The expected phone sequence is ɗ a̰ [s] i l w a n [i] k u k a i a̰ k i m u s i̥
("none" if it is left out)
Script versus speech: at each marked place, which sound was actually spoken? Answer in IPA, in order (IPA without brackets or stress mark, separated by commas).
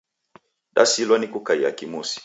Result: s, i